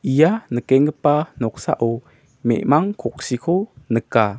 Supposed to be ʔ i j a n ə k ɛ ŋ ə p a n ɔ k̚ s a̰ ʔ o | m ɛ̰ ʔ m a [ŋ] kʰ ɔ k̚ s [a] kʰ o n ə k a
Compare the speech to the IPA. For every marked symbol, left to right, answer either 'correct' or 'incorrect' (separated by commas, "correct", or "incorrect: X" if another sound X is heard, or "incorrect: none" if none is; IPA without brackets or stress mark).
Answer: correct, incorrect: i